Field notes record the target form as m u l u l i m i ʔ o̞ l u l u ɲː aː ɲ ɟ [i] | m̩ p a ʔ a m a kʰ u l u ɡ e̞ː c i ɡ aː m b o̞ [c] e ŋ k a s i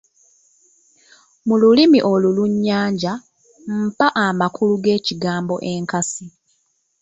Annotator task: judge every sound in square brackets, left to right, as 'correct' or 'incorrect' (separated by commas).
incorrect, incorrect